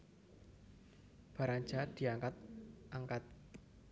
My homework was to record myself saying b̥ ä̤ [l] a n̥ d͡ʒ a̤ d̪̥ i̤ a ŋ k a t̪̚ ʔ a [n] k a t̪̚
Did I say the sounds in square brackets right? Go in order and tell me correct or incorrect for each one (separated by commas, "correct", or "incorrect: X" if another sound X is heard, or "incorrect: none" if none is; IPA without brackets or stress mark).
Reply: incorrect: ɾ, incorrect: ŋ